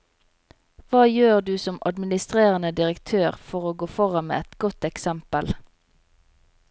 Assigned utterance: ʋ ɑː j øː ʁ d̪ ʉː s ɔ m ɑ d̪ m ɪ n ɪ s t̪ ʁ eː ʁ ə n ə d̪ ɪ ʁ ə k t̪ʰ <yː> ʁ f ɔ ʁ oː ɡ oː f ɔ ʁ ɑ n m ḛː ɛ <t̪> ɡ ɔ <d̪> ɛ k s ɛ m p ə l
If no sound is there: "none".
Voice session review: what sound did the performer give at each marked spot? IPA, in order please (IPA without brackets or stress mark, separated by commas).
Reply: øː, t̪, t̪